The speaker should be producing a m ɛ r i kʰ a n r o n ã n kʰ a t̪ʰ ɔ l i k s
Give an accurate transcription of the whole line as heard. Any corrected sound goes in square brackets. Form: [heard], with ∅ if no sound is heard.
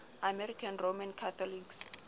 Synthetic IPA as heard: a m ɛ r i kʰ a n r o [m] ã n kʰ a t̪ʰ ɔ l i k s

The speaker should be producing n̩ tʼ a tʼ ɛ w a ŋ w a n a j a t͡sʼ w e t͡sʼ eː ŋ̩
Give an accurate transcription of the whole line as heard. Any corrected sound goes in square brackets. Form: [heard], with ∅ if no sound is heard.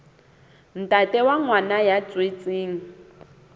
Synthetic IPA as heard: n̩ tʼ a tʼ ɛ w a ŋ w a n a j a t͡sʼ w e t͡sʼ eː ŋ̩

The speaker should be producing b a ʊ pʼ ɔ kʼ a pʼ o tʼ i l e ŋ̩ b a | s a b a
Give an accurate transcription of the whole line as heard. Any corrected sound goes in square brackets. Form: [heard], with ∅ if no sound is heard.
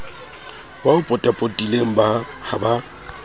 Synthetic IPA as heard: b a ʊ pʼ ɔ [tʼ] a pʼ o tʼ i l e ŋ̩ b a | [h] a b a

